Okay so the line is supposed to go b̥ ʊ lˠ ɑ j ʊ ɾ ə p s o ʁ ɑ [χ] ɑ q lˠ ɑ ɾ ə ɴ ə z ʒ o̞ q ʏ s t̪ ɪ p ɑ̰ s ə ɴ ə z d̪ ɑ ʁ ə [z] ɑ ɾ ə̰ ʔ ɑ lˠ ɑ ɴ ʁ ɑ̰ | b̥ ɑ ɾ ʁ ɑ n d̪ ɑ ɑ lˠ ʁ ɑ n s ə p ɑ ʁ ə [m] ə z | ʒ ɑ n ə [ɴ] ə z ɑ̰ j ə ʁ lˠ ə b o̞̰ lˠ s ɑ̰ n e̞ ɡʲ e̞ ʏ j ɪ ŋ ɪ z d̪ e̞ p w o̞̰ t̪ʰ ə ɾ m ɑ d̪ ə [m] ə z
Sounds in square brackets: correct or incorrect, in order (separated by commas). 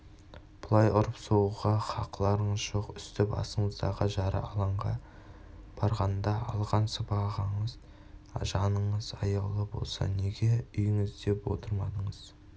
correct, incorrect, incorrect, correct, incorrect